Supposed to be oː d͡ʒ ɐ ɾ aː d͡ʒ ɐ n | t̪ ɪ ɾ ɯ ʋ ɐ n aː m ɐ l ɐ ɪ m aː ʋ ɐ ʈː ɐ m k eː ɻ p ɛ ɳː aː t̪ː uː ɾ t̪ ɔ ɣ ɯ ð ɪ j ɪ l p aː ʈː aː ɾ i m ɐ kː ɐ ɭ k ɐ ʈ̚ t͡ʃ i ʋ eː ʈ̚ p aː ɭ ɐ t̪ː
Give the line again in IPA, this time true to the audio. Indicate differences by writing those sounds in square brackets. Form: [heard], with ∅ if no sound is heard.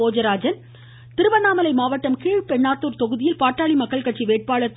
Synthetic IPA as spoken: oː d͡ʒ ɐ ɾ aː d͡ʒ ɐ n | t̪ ɪ ɾ ɯ ʋ ɐ n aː m ɐ l ɐ ɪ m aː ʋ ɐ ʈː ɐ m k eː ɻ p ɛ ɳː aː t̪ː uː ɾ t̪ ɔ ɣ ɯ ð ɪ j ɪ l p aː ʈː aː [ɭ] i m ɐ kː ɐ ɭ k ɐ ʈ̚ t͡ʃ i ʋ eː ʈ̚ p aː ɭ ɐ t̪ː